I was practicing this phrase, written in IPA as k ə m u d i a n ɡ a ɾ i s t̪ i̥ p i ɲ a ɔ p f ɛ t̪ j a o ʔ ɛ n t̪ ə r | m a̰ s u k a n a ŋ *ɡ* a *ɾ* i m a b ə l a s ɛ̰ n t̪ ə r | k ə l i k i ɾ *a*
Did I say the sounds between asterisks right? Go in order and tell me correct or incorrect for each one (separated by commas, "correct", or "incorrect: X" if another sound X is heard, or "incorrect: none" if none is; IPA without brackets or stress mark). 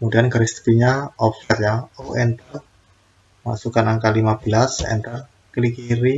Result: incorrect: k, incorrect: l, incorrect: i